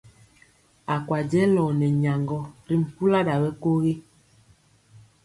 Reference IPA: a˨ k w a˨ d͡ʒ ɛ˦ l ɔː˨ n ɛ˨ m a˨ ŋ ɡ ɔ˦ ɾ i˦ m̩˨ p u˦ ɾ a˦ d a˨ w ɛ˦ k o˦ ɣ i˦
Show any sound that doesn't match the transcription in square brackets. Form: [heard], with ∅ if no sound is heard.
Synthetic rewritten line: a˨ k w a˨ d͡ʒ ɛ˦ l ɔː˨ n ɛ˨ [ɲ] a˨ ŋ ɡ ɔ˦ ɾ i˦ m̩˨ p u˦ [l] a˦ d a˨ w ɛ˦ k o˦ ɣ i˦